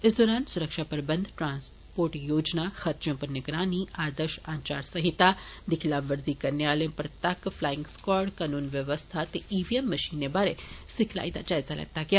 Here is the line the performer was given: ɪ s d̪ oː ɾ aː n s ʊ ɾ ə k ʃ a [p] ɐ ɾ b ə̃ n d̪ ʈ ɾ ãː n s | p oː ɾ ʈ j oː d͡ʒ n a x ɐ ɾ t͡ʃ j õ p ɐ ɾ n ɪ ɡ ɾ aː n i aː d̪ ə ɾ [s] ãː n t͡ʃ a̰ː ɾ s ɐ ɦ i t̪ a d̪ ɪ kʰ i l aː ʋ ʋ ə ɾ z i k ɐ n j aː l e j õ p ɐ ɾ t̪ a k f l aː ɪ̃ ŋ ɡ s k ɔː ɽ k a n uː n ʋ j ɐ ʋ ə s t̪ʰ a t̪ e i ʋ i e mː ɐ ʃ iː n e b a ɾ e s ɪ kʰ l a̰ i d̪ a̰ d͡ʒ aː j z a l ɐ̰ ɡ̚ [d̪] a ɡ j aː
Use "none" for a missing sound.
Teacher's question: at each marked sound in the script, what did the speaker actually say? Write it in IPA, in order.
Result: p, ʃ, t̪

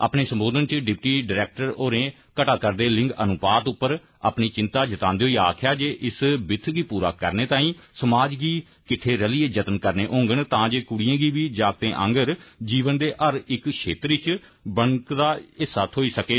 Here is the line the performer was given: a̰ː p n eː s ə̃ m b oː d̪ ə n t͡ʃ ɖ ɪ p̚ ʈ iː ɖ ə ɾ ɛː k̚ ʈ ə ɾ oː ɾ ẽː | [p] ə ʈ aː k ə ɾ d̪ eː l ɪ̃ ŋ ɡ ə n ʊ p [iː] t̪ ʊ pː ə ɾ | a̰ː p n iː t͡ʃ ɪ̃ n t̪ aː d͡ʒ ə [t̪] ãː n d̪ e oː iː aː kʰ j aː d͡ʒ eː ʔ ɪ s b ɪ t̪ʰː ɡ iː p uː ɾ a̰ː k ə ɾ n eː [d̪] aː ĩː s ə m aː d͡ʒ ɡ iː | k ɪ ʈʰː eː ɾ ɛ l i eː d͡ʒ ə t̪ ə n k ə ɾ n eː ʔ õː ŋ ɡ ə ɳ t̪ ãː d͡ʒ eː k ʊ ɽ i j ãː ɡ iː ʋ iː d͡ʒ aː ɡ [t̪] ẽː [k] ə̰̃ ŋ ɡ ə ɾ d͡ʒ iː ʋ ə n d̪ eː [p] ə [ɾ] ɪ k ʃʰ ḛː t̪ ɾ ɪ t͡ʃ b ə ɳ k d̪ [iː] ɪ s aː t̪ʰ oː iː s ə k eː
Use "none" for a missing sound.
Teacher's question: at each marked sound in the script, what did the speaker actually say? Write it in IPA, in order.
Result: k, aː, t̪, t̪, t̪, ʔ, ʔ, ɾ, aː

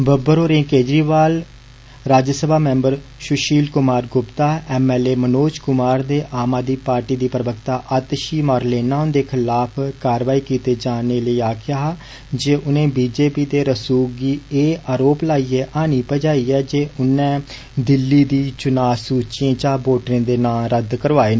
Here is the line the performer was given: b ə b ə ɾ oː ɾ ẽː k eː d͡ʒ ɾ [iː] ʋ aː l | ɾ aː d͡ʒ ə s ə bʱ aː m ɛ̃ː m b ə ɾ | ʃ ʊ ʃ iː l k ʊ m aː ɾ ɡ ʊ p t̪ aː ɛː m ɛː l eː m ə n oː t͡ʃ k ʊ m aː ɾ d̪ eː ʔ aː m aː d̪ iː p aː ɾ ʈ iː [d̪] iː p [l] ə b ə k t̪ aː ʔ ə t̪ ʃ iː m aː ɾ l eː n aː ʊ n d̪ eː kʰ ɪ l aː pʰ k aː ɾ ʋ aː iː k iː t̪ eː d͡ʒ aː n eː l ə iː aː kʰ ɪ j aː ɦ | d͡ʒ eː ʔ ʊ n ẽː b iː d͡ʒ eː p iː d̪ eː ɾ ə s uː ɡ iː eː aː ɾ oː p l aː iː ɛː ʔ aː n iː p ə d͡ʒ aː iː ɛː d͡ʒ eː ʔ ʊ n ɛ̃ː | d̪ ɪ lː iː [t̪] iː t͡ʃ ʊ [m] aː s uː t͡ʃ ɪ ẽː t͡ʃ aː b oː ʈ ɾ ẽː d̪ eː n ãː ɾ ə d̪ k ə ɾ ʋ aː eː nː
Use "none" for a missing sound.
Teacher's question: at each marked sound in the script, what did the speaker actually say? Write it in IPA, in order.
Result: iː, d̪, ɾ, d̪, n

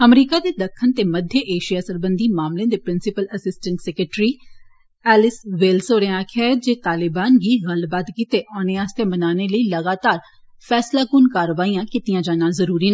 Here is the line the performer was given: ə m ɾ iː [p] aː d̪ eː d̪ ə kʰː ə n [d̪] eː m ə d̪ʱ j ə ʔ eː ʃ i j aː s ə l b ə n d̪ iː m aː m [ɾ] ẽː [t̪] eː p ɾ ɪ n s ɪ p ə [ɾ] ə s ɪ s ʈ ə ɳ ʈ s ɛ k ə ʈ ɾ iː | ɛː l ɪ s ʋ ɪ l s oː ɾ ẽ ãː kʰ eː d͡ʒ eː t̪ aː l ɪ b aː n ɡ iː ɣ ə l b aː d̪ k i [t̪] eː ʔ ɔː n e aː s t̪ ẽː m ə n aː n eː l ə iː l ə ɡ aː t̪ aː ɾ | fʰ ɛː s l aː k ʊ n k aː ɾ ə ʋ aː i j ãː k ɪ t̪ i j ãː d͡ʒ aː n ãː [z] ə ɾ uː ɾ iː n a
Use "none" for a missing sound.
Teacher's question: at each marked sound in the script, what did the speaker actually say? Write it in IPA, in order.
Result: k, t̪, l, d̪, l, t̪, z

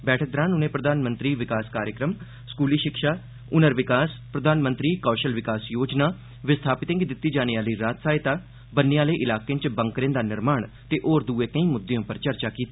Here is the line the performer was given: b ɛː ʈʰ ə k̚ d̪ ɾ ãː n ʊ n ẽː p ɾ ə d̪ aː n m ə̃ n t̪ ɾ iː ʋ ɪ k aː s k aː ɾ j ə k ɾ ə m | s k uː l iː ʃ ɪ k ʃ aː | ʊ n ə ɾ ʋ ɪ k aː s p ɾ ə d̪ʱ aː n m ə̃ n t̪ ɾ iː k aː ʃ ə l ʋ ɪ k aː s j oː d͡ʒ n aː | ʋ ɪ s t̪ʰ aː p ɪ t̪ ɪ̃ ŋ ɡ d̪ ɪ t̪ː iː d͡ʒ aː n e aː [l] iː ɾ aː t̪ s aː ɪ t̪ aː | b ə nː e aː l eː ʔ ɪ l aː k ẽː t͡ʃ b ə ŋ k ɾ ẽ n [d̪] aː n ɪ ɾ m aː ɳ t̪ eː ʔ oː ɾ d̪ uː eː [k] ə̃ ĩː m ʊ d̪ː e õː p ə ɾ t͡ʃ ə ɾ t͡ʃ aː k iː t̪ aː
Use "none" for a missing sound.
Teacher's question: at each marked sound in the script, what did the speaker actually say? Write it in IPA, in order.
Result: l, d̪, k

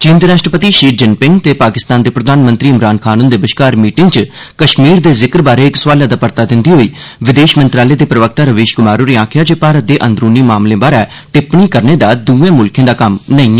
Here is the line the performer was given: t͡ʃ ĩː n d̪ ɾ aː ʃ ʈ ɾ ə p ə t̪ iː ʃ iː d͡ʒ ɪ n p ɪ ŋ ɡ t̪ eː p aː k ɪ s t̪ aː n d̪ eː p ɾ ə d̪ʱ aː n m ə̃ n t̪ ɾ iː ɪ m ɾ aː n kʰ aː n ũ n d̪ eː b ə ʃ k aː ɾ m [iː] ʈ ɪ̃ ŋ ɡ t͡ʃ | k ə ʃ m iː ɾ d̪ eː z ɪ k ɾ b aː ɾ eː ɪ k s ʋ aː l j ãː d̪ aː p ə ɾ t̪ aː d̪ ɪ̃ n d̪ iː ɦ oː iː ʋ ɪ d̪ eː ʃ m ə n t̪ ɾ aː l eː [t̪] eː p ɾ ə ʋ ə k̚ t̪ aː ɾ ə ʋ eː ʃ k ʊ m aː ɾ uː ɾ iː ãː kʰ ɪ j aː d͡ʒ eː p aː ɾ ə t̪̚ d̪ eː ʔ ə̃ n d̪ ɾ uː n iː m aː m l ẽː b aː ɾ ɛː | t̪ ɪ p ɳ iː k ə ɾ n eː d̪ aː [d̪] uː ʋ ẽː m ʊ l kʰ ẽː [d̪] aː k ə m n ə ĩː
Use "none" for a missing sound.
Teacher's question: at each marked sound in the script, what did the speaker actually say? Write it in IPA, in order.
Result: iː, d̪, d̪, d̪

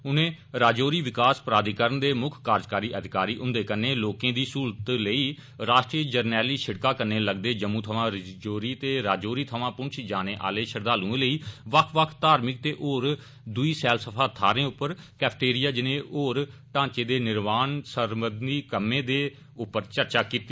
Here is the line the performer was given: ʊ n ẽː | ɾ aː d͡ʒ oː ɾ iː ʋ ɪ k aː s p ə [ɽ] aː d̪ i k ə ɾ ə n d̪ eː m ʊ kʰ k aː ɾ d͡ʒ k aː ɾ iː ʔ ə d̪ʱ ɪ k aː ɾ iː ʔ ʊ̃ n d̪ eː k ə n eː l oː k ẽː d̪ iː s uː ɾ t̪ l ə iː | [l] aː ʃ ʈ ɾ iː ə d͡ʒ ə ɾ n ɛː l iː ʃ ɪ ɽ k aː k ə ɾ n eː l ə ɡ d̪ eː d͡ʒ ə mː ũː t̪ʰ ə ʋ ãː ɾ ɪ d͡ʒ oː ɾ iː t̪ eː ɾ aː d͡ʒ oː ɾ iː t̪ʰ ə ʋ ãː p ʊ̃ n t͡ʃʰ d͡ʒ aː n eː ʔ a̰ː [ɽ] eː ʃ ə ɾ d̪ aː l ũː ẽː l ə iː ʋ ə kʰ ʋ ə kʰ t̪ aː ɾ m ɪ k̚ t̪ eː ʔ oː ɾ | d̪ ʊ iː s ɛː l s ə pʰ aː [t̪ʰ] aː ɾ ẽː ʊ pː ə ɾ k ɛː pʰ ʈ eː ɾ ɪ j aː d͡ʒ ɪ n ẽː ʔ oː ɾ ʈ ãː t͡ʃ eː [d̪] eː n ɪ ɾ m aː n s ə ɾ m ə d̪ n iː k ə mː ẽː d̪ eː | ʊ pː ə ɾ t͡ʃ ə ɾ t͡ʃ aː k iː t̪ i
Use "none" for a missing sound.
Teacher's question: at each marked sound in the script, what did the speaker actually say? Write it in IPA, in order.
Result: ɾ, ɾ, l, t̪ʰ, d̪

